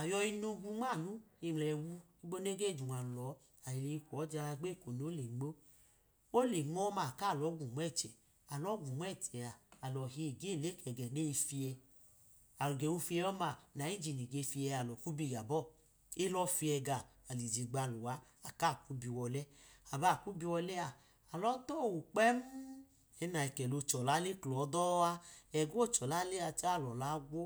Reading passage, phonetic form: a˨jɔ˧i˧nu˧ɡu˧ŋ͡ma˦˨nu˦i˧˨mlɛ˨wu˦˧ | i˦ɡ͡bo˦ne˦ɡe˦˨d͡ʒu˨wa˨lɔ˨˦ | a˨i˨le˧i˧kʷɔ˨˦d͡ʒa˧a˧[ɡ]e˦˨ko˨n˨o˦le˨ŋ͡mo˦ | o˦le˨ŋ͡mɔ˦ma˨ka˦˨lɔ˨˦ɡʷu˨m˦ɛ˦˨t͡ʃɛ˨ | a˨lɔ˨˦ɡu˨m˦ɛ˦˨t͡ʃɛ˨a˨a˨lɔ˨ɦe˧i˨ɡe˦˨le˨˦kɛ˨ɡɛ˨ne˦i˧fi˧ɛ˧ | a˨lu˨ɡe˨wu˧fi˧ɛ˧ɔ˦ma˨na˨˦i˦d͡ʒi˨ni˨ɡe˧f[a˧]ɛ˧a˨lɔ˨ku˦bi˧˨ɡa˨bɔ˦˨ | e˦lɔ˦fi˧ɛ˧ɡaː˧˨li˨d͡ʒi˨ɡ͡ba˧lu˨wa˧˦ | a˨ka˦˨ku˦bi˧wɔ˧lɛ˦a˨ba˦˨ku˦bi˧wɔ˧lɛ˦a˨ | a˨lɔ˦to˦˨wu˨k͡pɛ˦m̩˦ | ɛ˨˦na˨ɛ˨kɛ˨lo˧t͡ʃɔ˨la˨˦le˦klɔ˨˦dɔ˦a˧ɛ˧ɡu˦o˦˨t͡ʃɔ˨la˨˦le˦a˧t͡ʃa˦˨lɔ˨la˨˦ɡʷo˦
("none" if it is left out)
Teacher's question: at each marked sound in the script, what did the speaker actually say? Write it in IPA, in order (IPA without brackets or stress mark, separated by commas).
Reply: ɡ͡b, i˧